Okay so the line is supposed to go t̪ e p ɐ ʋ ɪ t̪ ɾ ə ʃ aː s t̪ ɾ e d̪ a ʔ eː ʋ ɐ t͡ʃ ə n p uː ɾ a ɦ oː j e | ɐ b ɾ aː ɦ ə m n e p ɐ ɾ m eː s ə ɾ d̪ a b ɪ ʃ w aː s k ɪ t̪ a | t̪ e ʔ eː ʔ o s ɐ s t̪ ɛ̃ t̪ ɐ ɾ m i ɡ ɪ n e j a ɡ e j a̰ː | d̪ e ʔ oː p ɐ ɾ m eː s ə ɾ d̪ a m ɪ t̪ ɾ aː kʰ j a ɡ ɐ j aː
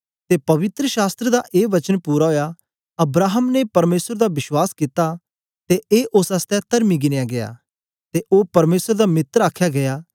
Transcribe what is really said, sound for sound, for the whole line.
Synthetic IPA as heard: t̪ e p ɐ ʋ ɪ t̪ ɾ ə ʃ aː s t̪ ɾ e d̪ a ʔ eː ʋ ɐ t͡ʃ ə n p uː ɾ a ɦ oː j a | ɐ b ɾ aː ɦ ə m n e p ɐ ɾ m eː s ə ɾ d̪ a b ɪ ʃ w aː s k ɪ t̪ a | t̪ e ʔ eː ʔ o s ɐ s t̪ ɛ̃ t̪ ɐ ɾ m i ɡ ɪ n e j a ɡ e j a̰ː | t̪ e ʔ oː p ɐ ɾ m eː s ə ɾ d̪ a m ɪ t̪ ɾ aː kʰ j a ɡ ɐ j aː